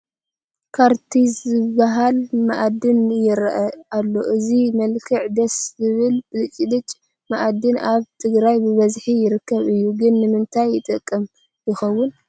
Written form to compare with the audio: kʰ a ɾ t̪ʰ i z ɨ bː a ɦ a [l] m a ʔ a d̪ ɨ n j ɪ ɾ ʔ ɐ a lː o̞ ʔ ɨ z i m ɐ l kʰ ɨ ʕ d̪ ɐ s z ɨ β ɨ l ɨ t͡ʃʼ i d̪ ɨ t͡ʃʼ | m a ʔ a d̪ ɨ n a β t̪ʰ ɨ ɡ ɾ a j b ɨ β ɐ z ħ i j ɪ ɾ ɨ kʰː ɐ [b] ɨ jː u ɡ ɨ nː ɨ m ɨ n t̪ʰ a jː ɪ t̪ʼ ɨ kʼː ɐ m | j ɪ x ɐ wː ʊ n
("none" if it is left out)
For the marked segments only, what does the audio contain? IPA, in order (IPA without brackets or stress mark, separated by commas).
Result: l, β